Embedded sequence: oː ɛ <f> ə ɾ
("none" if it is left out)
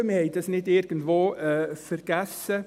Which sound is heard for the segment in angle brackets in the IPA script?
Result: f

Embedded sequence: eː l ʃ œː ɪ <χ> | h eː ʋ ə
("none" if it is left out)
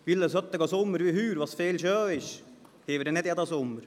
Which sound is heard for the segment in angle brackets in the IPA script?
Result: ʃ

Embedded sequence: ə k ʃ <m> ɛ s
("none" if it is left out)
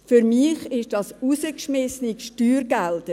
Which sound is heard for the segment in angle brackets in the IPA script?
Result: m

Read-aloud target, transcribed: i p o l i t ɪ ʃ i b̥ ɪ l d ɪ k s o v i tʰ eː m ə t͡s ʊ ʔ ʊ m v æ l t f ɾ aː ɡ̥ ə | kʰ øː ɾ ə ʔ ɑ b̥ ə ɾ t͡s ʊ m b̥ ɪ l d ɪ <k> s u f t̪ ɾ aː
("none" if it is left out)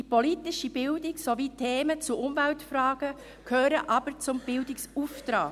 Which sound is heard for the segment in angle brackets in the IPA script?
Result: k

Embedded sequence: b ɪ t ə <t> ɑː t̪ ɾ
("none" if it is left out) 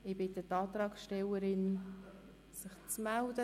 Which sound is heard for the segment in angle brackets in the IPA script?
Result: t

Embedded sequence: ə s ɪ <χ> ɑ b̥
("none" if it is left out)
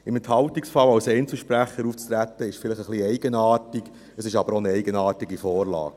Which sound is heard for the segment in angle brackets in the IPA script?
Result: ʃ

